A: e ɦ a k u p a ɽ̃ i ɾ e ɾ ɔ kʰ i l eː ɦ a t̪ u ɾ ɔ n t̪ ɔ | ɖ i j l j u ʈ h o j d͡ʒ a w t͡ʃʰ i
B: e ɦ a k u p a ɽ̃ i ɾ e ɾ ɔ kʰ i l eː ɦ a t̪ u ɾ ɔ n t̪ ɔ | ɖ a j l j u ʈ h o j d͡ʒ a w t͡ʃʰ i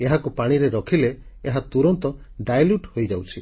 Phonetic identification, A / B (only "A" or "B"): B